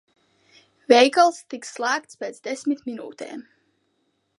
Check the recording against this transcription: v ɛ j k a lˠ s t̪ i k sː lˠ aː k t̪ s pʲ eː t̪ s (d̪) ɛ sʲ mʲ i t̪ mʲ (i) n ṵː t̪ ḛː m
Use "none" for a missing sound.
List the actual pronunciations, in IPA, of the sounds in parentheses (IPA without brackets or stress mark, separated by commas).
d̪, i